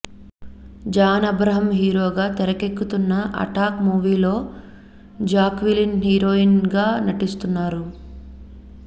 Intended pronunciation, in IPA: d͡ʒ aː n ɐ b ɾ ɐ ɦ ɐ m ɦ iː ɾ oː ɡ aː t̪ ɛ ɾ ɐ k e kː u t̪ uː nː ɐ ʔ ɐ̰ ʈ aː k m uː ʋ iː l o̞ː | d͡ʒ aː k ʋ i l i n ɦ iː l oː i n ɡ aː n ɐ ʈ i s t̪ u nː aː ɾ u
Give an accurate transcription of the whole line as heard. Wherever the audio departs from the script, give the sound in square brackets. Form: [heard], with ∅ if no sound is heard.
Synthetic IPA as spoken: d͡ʒ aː n ɐ b ɾ ɐ ɦ ɐ m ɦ iː ɾ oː ɡ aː t̪ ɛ ɾ ɐ k e kː u t̪ [u] nː ɐ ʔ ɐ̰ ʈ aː k m uː ʋ iː l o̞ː | d͡ʒ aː k ʋ i l i n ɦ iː [ɾ] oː i n ɡ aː n ɐ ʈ i s t̪ u nː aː ɾ u